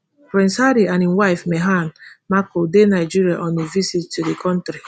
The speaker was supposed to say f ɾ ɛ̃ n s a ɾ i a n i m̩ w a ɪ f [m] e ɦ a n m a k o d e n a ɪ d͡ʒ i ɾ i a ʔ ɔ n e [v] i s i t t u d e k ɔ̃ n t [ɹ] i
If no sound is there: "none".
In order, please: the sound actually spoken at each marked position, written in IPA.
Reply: m, v, ɾ

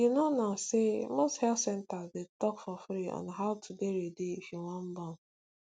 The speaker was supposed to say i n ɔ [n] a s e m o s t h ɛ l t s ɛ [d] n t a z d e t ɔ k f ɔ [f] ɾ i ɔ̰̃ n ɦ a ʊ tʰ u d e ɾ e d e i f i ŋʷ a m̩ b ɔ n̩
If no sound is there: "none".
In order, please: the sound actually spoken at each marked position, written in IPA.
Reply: n, none, f

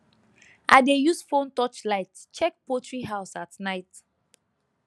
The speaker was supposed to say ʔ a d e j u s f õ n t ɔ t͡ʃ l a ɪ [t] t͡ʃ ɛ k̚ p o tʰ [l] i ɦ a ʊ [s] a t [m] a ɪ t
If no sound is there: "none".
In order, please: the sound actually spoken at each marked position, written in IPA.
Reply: t, ɹ, s, n

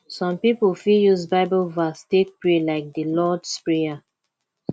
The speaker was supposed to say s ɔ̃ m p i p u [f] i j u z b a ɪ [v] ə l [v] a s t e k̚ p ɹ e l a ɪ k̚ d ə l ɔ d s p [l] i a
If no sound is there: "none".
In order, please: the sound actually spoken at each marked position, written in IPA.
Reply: f, b, v, ɹ

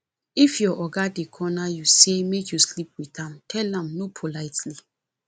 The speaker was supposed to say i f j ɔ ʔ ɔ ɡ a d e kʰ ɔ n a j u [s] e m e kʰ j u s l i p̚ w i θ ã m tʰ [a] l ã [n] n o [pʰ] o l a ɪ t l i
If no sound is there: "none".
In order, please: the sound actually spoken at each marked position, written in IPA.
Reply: s, ɛ, m, pʰ

